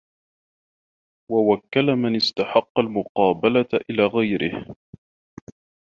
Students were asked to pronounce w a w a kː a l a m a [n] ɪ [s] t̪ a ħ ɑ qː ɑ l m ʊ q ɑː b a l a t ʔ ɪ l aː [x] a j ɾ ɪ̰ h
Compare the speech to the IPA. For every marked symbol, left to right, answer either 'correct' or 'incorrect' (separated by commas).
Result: correct, correct, incorrect